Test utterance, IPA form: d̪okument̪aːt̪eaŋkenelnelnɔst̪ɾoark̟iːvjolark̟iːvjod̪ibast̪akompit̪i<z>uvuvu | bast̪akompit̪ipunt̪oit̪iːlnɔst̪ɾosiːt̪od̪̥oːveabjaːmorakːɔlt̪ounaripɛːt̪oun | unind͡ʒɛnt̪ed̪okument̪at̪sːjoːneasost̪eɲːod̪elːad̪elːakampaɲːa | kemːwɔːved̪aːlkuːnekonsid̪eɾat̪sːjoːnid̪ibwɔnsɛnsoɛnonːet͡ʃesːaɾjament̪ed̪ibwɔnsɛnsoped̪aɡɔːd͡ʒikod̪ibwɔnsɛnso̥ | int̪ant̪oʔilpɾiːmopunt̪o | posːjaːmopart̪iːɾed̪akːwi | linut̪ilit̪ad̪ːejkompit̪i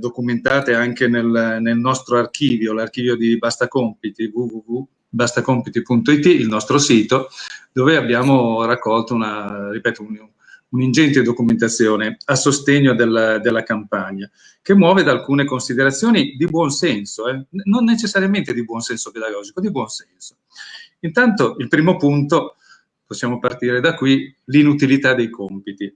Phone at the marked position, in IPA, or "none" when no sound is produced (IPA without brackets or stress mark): v